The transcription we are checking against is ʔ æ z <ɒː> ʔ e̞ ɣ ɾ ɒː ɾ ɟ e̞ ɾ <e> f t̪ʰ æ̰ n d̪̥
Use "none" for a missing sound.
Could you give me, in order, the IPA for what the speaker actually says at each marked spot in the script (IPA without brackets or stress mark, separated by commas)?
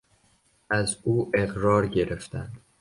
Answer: uː, e